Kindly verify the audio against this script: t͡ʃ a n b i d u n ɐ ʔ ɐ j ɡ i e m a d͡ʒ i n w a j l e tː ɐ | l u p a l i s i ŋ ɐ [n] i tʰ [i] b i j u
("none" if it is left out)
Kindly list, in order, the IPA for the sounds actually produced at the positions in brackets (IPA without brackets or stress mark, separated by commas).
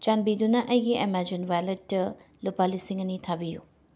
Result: n, a